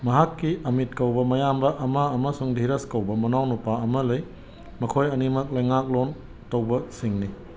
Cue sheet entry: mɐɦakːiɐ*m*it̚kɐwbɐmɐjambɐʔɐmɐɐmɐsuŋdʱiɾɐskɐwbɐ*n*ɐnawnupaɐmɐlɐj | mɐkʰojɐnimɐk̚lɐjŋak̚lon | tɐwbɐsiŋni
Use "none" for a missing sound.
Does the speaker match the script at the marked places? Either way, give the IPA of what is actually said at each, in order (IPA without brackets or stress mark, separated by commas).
m, m